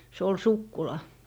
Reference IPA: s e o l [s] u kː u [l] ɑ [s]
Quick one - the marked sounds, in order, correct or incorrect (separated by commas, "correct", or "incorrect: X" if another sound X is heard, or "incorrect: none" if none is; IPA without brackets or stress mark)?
correct, correct, incorrect: none